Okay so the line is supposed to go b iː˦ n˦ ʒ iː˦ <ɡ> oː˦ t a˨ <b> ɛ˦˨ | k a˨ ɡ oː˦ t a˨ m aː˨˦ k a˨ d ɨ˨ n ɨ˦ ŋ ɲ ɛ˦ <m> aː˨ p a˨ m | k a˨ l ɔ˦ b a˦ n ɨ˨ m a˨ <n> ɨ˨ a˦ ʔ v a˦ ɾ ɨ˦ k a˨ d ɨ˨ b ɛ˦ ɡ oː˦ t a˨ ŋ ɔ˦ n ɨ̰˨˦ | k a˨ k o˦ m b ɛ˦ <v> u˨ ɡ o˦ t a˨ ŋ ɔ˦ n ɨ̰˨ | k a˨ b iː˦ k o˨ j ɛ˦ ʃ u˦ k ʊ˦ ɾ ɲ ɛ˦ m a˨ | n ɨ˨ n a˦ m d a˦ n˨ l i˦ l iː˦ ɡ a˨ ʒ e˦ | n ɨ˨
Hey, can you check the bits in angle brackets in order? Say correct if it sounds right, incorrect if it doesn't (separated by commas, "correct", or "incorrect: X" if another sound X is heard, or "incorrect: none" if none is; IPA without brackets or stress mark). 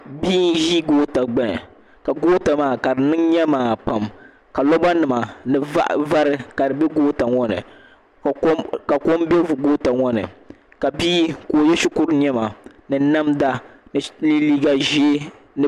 correct, incorrect: ɡ͡b, correct, correct, correct